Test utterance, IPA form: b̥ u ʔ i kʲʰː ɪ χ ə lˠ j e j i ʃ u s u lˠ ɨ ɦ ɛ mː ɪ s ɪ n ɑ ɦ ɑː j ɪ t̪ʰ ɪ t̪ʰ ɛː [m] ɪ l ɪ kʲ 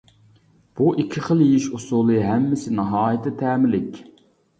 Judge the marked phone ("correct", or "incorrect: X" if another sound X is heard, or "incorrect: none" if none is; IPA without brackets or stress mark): correct